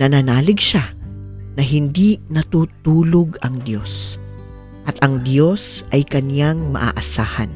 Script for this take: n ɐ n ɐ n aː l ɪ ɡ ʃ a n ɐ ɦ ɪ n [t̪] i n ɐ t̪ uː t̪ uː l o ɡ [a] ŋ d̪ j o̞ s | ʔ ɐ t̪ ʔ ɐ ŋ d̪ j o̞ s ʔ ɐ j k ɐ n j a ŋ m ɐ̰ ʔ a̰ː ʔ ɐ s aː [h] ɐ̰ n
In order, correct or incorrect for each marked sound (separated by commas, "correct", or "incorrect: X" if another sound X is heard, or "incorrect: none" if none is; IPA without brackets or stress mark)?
incorrect: d̪, incorrect: ɐ, correct